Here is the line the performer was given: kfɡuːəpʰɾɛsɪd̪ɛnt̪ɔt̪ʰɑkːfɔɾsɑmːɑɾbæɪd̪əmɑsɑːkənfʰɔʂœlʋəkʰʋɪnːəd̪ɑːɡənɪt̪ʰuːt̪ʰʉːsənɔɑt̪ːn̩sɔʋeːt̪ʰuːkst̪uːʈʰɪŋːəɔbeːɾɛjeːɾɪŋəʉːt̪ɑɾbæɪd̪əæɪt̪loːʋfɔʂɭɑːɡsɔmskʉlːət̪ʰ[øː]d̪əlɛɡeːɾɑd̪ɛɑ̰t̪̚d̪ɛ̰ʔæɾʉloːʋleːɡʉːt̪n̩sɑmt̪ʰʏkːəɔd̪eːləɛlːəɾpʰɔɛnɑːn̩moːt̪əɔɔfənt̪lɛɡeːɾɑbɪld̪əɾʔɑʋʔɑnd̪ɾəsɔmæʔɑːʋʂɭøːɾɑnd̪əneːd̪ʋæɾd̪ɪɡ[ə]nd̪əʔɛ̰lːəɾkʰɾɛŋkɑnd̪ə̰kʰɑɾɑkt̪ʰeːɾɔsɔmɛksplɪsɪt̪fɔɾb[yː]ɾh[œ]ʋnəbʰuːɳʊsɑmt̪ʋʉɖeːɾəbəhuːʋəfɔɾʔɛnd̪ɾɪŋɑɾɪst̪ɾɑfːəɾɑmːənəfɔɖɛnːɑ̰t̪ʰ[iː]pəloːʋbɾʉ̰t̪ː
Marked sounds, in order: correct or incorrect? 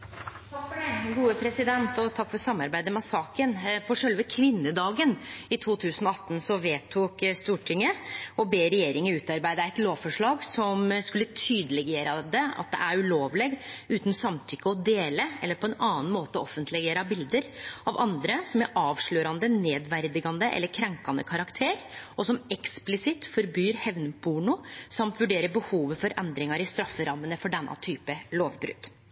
incorrect: yː, incorrect: ɑ, correct, incorrect: ɛ, incorrect: yː

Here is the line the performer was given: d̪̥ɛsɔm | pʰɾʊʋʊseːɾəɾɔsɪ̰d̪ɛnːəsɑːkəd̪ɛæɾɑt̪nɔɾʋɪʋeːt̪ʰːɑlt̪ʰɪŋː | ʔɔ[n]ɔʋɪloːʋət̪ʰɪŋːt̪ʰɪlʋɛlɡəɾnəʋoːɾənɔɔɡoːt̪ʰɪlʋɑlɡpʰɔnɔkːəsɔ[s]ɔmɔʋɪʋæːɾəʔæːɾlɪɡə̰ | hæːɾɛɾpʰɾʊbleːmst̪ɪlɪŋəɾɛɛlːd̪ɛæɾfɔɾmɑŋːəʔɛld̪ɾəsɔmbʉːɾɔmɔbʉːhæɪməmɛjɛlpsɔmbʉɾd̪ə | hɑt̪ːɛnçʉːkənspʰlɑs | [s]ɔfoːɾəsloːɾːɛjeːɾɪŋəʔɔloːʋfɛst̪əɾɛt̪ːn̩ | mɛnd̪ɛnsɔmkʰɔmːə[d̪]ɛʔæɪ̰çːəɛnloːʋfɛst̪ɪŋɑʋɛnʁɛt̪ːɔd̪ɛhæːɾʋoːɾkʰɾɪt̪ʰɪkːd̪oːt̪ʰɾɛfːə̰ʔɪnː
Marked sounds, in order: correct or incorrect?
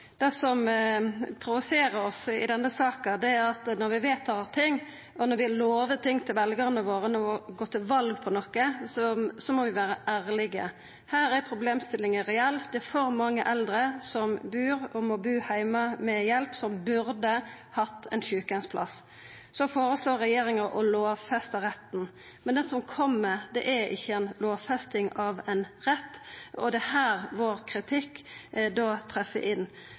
correct, correct, correct, correct

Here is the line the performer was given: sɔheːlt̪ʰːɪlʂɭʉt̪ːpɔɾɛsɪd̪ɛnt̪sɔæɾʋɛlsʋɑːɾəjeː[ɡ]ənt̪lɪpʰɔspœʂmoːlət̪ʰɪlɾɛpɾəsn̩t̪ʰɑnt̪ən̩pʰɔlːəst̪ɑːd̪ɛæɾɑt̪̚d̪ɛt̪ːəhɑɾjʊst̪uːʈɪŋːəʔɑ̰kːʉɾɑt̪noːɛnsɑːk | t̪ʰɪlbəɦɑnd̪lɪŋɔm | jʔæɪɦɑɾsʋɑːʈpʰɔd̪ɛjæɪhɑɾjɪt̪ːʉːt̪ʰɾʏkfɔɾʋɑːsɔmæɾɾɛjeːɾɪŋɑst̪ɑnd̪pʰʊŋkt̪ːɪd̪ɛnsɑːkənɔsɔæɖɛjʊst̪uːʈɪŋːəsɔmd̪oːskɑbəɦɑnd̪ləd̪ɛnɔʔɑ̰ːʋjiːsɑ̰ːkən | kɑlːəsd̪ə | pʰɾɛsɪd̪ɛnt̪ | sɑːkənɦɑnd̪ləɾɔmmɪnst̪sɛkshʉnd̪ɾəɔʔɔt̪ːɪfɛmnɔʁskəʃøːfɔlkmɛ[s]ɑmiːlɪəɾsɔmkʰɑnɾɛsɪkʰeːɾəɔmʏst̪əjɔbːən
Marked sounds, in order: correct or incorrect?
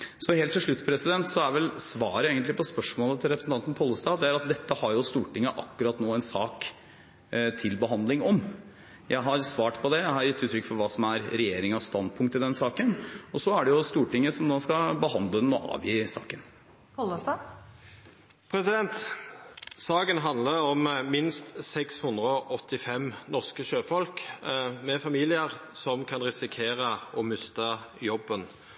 correct, incorrect: f

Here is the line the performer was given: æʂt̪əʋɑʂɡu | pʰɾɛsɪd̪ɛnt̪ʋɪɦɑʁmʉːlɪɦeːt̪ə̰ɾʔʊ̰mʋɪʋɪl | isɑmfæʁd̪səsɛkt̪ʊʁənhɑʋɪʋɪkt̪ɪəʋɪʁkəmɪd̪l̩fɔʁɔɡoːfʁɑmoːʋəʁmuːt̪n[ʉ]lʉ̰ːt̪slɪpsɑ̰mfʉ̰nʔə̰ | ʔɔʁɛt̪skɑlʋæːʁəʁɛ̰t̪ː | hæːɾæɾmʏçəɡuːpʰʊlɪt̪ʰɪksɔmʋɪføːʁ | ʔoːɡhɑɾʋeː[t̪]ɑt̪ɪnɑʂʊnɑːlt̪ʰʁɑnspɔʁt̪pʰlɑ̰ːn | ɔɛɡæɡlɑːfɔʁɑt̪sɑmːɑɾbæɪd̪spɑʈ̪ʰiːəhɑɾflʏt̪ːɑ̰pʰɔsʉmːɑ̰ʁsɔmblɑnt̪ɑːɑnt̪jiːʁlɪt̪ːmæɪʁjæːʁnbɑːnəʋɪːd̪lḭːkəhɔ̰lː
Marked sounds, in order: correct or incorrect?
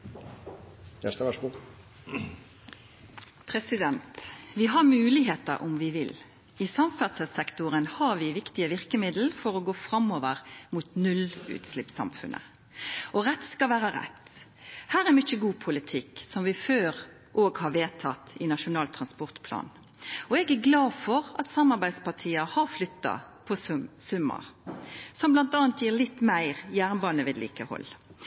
correct, incorrect: t̪ʰ

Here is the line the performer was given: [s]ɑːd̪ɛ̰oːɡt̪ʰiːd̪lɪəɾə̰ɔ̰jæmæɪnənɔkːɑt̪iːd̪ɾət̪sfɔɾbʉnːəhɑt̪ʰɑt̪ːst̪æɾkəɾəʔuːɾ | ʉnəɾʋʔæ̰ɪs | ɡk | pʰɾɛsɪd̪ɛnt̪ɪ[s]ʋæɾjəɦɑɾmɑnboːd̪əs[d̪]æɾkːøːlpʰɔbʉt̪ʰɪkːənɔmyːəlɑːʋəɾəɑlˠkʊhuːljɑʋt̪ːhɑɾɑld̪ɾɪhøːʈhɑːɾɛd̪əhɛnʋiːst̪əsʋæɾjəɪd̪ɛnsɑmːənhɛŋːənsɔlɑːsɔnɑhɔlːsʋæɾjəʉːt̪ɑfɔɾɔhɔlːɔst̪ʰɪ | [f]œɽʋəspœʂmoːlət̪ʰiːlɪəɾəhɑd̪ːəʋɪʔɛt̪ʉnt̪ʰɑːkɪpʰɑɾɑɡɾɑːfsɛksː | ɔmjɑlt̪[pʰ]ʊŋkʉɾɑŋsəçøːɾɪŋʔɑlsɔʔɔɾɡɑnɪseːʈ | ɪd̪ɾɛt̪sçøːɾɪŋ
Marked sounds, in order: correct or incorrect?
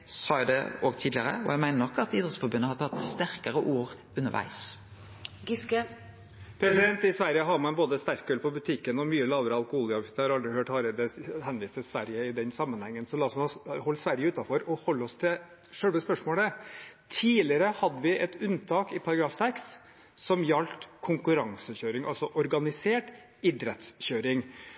correct, correct, incorrect: t̪, incorrect: ʂ, incorrect: kʰ

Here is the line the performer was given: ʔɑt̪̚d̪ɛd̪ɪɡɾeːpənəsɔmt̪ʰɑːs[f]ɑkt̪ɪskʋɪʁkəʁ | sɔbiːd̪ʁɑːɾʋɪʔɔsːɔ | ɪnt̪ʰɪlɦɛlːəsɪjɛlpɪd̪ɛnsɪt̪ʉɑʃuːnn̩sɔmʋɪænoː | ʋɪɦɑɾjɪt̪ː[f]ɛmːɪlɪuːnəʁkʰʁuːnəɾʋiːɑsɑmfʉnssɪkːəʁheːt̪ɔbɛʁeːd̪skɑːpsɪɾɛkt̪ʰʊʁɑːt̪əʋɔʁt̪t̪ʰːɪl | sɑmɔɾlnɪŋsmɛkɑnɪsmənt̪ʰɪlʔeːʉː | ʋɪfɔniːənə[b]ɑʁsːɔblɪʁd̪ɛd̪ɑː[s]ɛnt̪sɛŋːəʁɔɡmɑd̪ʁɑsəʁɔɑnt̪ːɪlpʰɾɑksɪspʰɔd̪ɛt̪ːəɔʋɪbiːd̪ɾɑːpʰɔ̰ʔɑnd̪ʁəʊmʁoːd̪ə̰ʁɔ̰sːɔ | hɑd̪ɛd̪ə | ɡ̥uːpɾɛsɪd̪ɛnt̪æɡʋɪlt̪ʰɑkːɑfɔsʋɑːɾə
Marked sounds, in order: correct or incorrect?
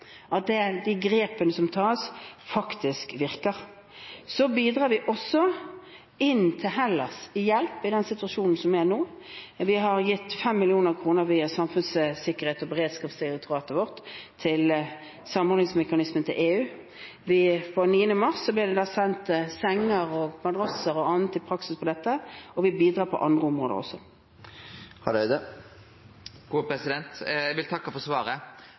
correct, correct, incorrect: m, correct

